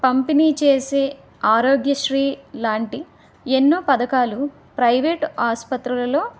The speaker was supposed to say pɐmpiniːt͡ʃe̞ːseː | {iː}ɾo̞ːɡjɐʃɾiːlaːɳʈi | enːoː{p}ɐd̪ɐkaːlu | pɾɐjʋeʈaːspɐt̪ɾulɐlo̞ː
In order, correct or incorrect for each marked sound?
incorrect: aː, correct

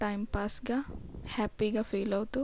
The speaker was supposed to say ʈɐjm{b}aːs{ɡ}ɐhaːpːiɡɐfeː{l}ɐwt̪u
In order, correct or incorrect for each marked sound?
incorrect: p, correct, correct

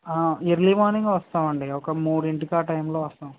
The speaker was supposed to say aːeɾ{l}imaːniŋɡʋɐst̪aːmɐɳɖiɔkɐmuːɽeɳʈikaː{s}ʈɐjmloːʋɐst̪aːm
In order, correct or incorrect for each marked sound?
correct, incorrect: none

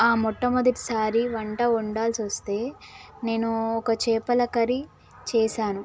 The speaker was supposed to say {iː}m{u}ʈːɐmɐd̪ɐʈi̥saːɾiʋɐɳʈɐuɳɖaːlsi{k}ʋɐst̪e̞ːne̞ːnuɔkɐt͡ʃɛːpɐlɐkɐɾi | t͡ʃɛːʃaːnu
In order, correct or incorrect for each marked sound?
incorrect: aː, incorrect: ɔ, incorrect: none

